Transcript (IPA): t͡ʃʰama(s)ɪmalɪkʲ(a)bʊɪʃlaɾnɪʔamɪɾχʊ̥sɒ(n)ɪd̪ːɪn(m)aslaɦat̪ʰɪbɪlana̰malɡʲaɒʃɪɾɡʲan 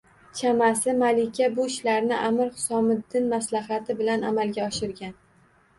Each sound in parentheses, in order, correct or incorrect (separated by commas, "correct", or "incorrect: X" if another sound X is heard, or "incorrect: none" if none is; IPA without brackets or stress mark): correct, correct, incorrect: m, correct